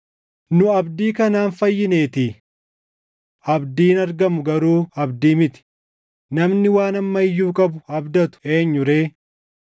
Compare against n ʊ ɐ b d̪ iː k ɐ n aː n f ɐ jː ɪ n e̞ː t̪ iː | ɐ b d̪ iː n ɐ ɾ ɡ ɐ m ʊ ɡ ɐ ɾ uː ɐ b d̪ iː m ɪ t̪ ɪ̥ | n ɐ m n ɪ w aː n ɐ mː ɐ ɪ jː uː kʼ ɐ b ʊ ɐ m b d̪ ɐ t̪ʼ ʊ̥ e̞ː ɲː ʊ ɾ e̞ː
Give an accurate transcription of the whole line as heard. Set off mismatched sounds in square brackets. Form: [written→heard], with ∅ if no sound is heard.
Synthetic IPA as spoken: n ʊ ɐ b d̪ iː k ɐ n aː n f ɐ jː ɪ n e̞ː t̪ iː | ɐ b d̪ iː n ɐ ɾ ɡ ɐ m ʊ ɡ ɐ ɾ uː ɐ b d̪ iː m ɪ t̪ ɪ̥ | n ɐ m n ɪ w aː n ɐ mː ɐ ɪ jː uː kʼ ɐ b ʊ ɐ [m→∅] b d̪ ɐ [t̪ʼ→t̪] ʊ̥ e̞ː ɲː ʊ ɾ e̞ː

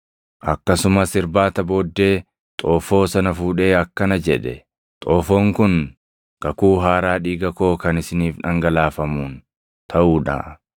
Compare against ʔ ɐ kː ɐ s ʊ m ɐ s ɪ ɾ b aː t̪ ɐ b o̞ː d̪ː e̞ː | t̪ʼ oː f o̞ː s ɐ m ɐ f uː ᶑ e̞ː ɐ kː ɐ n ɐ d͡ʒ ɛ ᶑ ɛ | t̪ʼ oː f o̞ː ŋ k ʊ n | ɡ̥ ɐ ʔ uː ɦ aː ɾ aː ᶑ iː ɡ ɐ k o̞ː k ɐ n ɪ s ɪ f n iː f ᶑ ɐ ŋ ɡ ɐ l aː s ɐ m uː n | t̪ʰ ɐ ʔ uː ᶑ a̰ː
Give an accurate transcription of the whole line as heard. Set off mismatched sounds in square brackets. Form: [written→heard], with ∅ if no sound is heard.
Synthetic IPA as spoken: ʔ ɐ kː ɐ s ʊ m ɐ s ɪ ɾ b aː t̪ ɐ b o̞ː d̪ː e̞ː | t̪ʼ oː f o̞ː s ɐ [m→n] ɐ f uː ᶑ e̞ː ɐ kː ɐ n ɐ d͡ʒ ɛ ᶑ ɛ | t̪ʼ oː f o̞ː ŋ k ʊ n | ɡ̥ ɐ [ʔ→k] uː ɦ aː ɾ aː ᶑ iː ɡ ɐ k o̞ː k ɐ n ɪ s ɪ [f→∅] n iː f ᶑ ɐ ŋ ɡ ɐ l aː [s→f] ɐ m uː n | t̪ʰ ɐ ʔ uː ᶑ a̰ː

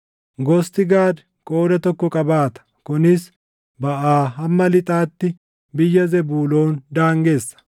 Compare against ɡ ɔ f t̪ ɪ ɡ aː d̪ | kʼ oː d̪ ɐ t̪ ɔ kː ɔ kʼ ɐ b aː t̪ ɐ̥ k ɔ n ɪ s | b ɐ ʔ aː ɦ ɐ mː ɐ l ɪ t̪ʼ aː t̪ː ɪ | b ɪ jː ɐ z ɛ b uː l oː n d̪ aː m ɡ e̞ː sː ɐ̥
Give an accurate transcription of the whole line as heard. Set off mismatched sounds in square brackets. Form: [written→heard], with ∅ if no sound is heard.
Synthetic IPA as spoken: ɡ ɔ [f→s] t̪ ɪ ɡ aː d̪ | kʼ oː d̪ ɐ t̪ ɔ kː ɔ kʼ ɐ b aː t̪ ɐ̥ k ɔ n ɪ s | b ɐ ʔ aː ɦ ɐ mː ɐ l ɪ t̪ʼ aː t̪ː ɪ | b ɪ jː ɐ z ɛ b uː l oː n d̪ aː [m→ŋ] ɡ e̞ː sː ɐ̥

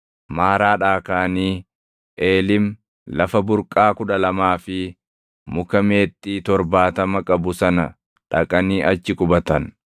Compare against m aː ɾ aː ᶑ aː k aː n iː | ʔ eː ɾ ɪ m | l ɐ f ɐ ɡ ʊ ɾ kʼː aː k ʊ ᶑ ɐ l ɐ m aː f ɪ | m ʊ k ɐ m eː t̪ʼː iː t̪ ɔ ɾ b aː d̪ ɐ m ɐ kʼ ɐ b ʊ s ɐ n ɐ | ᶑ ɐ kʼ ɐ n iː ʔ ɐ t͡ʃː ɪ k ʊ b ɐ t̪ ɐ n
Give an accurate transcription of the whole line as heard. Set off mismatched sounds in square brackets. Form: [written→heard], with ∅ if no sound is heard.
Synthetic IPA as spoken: m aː ɾ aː ᶑ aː k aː n iː | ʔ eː [ɾ→l] ɪ m | l ɐ f ɐ [ɡ→b] ʊ ɾ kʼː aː k ʊ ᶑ ɐ l ɐ m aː f ɪ | m ʊ k ɐ m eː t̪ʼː iː t̪ ɔ ɾ b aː [d̪→t̪] ɐ m ɐ kʼ ɐ b ʊ s ɐ n ɐ | ᶑ ɐ kʼ ɐ n iː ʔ ɐ t͡ʃː ɪ k ʊ b ɐ t̪ ɐ n

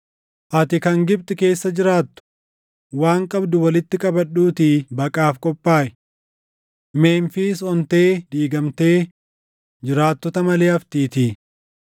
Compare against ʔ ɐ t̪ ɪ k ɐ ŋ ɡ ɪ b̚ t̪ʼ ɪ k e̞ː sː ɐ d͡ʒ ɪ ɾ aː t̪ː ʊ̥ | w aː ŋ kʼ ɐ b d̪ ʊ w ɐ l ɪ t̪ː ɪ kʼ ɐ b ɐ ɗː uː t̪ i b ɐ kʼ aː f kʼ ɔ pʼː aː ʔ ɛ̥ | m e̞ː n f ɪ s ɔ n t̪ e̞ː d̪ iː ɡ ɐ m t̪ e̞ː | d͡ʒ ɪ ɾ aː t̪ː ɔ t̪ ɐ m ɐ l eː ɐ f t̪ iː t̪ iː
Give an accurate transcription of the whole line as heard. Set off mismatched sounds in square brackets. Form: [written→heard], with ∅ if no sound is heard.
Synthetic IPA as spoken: ʔ ɐ t̪ ɪ k ɐ ŋ ɡ ɪ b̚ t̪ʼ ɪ k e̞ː sː ɐ d͡ʒ ɪ ɾ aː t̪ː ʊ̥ | w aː ŋ kʼ ɐ b d̪ ʊ w ɐ l ɪ t̪ː ɪ kʼ ɐ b ɐ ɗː uː t̪ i b ɐ kʼ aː f kʼ ɔ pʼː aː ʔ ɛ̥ | m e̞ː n f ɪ s ɔ n t̪ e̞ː d̪ iː ɡ ɐ m t̪ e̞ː | d͡ʒ ɪ ɾ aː t̪ː ɔ t̪ ɐ m ɐ l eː ɐ f t̪ iː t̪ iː

